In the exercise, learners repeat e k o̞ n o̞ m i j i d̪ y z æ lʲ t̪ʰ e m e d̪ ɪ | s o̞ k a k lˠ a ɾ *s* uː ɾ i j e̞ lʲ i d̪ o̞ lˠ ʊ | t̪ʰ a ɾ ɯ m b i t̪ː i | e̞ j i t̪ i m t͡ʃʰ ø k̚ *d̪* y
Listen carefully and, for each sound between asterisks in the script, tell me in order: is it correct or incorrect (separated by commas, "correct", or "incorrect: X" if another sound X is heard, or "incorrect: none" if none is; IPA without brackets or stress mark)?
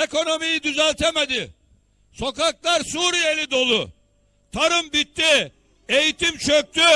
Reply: correct, incorrect: t̪